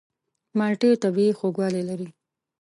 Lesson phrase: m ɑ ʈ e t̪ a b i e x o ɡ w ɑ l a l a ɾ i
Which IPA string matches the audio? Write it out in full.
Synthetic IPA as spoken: m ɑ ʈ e t̪ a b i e x o ɡ w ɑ l e l a ɾ i